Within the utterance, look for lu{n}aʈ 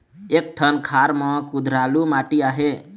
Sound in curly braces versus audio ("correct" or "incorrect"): incorrect